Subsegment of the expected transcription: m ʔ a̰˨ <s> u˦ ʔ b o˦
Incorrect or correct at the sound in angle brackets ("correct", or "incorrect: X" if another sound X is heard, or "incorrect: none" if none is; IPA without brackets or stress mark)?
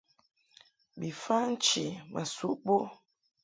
correct